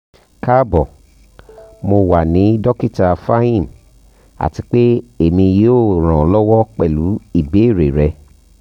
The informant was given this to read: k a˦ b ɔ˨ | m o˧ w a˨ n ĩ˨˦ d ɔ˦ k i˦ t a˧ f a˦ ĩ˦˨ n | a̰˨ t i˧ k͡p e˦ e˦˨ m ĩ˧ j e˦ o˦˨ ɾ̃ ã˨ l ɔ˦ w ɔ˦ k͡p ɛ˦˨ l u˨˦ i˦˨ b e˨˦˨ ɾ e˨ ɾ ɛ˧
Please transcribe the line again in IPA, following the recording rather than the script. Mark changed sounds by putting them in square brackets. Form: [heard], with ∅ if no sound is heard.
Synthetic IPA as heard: k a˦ b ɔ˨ | m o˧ w a˨ n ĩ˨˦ d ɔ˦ k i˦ t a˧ f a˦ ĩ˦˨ n | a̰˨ t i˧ k͡p e˦ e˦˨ m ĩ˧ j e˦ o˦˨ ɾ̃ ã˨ l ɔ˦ w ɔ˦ k͡p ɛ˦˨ l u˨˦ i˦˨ b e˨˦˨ ɾ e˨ ɾ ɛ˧

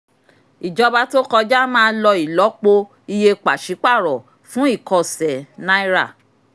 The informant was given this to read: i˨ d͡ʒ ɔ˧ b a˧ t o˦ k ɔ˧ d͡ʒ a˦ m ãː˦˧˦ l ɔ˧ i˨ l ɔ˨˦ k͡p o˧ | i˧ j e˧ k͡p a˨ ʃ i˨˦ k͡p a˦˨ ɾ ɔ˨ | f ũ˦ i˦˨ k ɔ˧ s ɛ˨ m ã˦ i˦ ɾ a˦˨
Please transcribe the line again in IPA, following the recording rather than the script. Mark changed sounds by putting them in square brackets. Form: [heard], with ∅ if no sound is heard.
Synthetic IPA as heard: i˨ d͡ʒ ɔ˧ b a˧ t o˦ k ɔ˧ d͡ʒ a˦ m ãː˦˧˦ l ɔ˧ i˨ l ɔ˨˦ k͡p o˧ | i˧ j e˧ k͡p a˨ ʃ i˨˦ k͡p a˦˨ ɾ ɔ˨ | f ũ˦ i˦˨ k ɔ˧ s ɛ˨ [n] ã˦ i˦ ɾ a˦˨

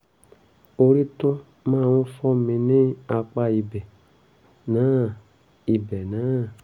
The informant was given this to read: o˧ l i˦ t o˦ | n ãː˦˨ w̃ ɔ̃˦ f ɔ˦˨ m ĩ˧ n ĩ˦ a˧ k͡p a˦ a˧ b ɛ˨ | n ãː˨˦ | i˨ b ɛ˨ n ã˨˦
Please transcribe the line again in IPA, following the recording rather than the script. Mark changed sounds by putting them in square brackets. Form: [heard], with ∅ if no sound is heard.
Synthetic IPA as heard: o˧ [ɾ] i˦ t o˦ | [m] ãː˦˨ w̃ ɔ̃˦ f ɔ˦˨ m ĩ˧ n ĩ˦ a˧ k͡p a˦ [i˧] b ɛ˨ | n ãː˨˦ | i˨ b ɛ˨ n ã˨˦

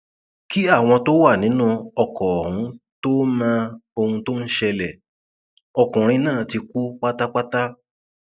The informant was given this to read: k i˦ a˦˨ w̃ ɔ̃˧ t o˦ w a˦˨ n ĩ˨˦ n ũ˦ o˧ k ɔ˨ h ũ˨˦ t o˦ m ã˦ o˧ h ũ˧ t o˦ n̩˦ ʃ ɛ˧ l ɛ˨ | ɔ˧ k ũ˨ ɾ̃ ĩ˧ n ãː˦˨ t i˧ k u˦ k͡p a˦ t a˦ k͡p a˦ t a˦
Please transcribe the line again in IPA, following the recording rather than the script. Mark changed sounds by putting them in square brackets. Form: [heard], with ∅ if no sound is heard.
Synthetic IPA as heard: k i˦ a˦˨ w̃ ɔ̃˧ t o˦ w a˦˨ n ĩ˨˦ n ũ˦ [ɔ˧] k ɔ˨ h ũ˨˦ t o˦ m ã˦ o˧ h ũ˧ t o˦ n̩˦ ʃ ɛ˧ l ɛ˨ | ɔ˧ k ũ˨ ɾ̃ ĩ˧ n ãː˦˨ t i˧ k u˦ k͡p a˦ t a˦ k͡p a˦ t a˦

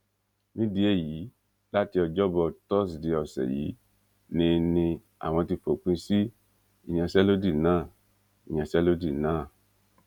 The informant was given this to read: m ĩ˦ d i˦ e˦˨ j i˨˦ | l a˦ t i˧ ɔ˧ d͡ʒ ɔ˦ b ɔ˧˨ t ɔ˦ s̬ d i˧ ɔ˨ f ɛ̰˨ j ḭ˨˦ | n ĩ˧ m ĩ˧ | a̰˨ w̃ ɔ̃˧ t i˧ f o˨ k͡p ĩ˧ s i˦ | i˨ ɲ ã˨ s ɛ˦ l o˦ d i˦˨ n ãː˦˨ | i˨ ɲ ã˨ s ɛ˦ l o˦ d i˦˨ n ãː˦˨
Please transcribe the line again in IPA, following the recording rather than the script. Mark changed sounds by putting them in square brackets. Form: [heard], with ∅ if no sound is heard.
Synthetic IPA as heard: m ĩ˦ d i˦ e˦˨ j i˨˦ | l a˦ t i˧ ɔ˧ d͡ʒ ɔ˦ b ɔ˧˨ t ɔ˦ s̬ d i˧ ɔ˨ [s] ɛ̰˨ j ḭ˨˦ | n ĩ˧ [n] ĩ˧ | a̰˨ w̃ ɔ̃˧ t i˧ f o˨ k͡p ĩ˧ s i˦ | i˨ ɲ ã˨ s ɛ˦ l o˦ d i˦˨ n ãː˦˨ | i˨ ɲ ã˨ s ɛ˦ l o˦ d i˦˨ n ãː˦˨

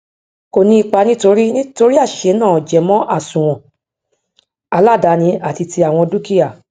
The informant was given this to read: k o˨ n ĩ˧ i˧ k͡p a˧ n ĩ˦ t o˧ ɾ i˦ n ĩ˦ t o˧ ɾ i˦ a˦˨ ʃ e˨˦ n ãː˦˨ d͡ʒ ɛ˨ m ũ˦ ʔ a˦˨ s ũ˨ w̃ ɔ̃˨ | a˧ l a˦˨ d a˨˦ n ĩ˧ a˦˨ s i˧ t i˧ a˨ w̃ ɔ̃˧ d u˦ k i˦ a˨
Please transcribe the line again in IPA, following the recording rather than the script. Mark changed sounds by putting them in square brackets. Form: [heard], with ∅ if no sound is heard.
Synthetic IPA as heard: k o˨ n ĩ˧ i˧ k͡p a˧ n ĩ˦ t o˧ ɾ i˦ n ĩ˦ t o˧ ɾ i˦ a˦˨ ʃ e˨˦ n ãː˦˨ d͡ʒ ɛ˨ m [ɔ̃˦] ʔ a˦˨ s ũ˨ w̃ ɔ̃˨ | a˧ l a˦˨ d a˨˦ n ĩ˧ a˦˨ [t] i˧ t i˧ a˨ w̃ ɔ̃˧ d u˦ k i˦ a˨

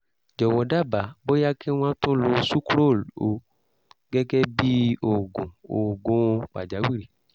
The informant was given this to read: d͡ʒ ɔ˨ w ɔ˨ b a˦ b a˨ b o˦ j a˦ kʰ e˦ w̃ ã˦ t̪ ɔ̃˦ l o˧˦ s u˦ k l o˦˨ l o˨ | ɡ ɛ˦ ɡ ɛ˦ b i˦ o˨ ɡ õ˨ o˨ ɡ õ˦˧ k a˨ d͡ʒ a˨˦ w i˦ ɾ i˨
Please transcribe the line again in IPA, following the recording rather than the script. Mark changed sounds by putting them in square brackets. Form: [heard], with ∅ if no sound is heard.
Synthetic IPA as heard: d͡ʒ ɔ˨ w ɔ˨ [d] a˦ b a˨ b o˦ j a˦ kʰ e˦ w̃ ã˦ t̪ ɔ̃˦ l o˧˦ s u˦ k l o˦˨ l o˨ | ɡ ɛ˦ ɡ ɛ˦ b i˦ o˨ ɡ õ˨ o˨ ɡ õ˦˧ [k͡p] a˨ d͡ʒ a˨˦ w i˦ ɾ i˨

